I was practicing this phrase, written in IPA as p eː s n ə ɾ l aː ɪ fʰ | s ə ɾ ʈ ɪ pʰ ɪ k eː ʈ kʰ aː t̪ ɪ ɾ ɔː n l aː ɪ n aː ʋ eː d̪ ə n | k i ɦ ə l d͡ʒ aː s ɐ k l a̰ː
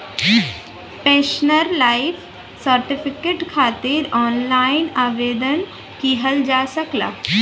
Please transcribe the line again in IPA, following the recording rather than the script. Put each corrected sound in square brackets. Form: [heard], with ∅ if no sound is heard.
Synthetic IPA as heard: p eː [ʃ] n ə ɾ l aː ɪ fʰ | s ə ɾ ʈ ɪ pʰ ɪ k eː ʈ kʰ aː t̪ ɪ ɾ ɔː n l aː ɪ n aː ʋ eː d̪ ə n | k i ɦ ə l d͡ʒ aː s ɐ k l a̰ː